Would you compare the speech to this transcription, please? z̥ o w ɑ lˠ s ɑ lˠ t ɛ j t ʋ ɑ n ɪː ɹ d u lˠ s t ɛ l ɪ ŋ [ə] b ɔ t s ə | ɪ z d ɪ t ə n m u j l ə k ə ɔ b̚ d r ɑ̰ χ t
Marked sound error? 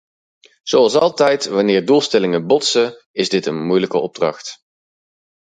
no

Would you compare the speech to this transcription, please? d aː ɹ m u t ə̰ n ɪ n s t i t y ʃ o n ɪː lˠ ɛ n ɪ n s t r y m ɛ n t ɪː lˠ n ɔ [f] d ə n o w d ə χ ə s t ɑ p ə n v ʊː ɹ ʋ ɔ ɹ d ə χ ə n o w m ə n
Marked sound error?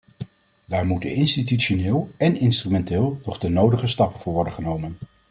yes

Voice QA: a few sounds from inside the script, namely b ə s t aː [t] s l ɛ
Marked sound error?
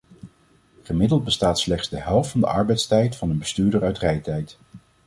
no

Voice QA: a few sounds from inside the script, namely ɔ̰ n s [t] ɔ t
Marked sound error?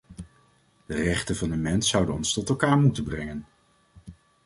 no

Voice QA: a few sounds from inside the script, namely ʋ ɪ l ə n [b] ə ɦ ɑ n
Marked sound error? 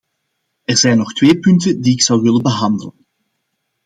no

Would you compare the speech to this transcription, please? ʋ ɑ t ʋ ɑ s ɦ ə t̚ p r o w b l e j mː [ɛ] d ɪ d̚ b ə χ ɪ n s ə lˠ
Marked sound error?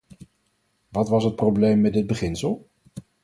no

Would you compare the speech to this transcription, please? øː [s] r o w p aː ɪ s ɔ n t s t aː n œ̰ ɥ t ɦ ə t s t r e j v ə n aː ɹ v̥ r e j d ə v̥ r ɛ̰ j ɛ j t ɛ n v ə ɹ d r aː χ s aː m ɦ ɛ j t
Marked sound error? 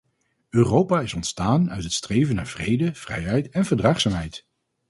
yes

